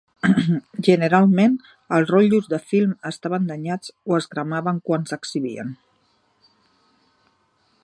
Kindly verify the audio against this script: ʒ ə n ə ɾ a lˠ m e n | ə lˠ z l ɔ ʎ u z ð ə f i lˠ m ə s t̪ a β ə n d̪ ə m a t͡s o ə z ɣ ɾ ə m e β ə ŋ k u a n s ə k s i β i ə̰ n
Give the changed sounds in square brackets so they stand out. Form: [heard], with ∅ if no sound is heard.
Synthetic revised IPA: ʒ ə n ə ɾ a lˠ m e n | ə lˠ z [r] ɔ ʎ u z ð ə f i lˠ m ə s t̪ a β ə n d̪ ə [ɲ] a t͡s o ə z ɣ ɾ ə m [a] β ə ŋ k [w] a n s ə k s i β i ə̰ n